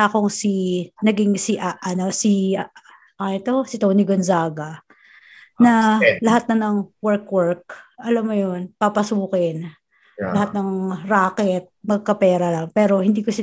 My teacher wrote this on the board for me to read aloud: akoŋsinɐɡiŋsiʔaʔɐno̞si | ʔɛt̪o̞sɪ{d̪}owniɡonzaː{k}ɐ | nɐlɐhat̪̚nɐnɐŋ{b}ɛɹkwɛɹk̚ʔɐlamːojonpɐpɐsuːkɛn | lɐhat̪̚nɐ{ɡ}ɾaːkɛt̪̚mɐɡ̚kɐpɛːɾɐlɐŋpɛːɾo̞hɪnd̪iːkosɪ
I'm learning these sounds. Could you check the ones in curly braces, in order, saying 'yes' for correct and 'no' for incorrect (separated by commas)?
no, no, no, no